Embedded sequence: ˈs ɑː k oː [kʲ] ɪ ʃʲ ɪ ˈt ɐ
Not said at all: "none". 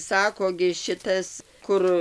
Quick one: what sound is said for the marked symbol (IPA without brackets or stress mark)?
ɡʲ